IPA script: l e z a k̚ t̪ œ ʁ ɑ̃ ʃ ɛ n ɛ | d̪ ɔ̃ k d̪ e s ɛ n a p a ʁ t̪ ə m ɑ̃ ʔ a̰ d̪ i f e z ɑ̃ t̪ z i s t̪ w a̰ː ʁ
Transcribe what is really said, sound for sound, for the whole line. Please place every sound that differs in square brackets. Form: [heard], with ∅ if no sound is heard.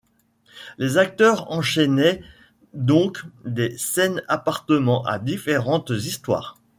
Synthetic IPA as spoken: l e z a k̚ t̪ œ ʁ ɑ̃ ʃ ɛ n ɛ | d̪ ɔ̃ k d̪ e s ɛ n a p a ʁ t̪ ə m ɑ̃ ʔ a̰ d̪ i f e [ʁ] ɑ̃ t̪ z i s t̪ w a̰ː ʁ